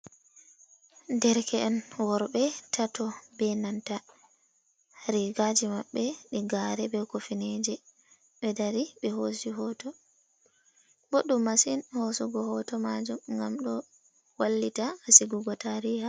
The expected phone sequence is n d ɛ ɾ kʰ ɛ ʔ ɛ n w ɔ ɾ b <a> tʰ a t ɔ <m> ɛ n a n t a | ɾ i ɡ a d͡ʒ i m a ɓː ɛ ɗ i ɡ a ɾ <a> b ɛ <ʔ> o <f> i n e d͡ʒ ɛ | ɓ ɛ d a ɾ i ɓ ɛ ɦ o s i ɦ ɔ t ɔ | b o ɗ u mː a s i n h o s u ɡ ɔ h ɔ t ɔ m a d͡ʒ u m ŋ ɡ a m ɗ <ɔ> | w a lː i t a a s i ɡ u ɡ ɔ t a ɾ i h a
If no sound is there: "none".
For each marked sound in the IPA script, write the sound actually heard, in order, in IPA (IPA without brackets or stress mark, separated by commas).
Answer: ɛ, b, ɛ, k, f, ɔ